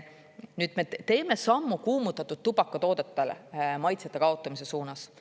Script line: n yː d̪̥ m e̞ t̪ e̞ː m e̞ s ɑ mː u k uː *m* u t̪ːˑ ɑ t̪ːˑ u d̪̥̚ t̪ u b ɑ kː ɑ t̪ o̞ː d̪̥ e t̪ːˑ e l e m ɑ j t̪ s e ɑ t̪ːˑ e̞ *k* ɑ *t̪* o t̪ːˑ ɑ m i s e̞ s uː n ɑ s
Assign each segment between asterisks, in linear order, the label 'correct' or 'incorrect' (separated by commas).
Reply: correct, correct, incorrect